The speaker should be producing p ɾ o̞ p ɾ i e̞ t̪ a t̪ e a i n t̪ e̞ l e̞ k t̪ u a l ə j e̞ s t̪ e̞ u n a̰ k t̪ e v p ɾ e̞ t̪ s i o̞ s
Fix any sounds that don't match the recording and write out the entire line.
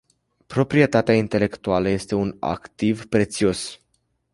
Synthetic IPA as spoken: p ɾ o̞ p ɾ i e̞ t̪ a t̪ e a i n t̪ e̞ l e̞ k t̪ u a l ə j e̞ s t̪ e̞ u n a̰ k t̪ i v p ɾ e̞ t̪ s i o̞ s